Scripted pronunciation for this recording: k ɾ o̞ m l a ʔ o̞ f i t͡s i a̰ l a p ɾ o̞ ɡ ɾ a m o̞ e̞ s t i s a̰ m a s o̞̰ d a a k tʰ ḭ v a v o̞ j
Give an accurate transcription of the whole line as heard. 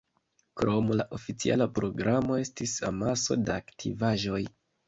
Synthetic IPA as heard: k ɾ o̞ m l a ʔ o̞ f i t͡s i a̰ l a p ɾ o̞ ɡ ɾ a m o̞ e̞ s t i s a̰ m a s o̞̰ d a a k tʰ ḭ v a ʒ o̞ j